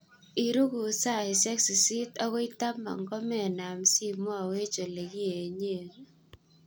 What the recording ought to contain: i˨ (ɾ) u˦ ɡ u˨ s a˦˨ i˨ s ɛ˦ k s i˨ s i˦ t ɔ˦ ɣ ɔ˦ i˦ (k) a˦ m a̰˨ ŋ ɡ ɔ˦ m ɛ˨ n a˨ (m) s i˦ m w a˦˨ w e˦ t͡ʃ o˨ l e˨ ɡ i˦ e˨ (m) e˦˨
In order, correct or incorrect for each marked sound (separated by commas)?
correct, incorrect, correct, incorrect